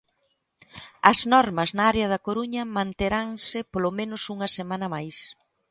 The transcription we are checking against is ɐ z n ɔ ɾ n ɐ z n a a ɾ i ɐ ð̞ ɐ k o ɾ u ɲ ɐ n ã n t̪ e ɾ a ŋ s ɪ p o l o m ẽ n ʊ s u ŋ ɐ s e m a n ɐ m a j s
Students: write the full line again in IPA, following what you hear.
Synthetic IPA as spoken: ɐ z n ɔ ɾ m ɐ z n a a ɾ e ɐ ð̞ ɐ k o ɾ u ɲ ɐ m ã n t̪ e ɾ a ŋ s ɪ p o l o m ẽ n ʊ s u ŋ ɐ s e m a n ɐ m a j s